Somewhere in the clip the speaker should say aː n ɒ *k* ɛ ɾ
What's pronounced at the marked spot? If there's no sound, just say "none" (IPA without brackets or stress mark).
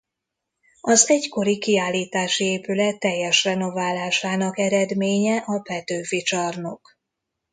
k